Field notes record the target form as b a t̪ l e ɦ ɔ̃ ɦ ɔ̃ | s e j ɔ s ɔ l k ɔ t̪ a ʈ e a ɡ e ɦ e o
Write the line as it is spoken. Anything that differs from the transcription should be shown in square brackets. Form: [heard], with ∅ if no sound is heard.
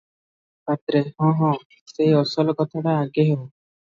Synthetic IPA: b a t̪ [ɾ] e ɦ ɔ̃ ɦ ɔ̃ | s e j ɔ s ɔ l k ɔ [t̪ʰ] a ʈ [a] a ɡ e ɦ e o